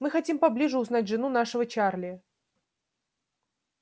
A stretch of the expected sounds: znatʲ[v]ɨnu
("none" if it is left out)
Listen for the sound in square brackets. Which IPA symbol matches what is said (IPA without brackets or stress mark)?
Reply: ʐ